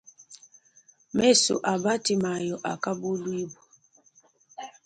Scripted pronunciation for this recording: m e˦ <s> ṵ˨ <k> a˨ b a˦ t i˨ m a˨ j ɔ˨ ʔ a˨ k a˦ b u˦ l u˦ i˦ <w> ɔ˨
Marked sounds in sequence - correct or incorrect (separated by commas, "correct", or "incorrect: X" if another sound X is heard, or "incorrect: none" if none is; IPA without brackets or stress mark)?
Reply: correct, incorrect: ʔ, incorrect: b